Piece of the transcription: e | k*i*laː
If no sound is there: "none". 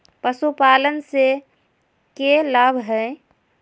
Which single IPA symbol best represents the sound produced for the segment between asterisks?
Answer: e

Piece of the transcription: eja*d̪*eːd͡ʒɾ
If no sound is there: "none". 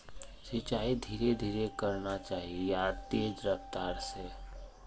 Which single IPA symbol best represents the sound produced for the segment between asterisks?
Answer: t̪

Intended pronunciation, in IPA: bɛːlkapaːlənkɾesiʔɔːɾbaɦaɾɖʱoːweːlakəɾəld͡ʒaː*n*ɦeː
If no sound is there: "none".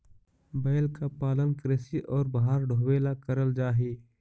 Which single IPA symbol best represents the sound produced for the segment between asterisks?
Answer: none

